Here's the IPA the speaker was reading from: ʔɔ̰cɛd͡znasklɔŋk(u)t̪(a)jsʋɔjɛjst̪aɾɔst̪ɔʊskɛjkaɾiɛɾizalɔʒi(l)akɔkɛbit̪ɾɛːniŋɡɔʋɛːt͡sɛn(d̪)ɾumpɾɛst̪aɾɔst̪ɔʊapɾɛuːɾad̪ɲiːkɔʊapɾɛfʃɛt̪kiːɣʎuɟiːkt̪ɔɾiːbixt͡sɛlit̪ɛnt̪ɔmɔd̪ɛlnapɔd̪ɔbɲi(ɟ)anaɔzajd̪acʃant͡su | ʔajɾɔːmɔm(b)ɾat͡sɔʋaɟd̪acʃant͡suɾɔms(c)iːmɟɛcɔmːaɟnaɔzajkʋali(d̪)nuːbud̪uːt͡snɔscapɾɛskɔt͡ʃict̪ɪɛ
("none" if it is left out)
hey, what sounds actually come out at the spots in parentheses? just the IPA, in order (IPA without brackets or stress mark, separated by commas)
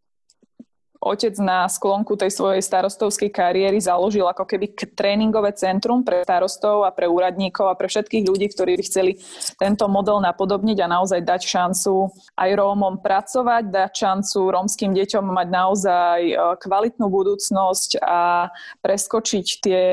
u, ɛ, l, t̪, ɟ, p, k, t̪